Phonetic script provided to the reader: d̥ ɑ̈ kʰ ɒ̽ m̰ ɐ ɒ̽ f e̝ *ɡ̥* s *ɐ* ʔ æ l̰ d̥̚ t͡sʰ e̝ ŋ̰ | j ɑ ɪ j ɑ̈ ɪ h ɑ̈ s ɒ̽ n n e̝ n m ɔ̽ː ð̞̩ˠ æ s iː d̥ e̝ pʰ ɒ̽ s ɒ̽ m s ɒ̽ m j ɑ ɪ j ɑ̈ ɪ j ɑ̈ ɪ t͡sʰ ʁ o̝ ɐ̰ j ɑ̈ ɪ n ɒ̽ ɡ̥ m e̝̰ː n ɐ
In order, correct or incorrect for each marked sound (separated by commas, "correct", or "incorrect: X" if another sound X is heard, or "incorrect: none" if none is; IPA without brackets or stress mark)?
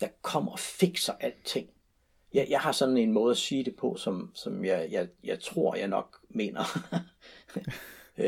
correct, correct